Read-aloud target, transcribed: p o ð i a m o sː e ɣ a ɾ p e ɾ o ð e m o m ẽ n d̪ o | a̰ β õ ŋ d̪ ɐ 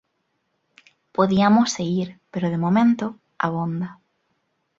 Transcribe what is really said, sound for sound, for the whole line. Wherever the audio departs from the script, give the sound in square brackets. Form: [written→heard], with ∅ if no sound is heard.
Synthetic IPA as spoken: p o ð i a m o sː e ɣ [a→i] ɾ p e ɾ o ð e m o m ẽ n [d̪→t̪] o | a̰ β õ [ŋ→n] d̪ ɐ